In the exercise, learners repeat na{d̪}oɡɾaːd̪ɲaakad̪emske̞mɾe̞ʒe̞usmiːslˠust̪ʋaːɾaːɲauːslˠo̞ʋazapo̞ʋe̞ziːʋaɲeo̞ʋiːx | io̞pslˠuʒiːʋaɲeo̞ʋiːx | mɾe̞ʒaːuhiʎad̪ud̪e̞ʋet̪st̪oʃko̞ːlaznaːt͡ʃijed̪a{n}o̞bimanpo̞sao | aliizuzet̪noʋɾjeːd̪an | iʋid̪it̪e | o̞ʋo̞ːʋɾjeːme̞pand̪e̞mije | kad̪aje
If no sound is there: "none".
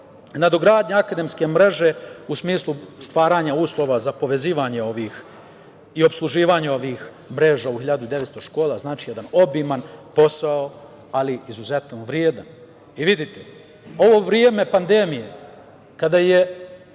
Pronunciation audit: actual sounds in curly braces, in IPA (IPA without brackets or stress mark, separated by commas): d̪, n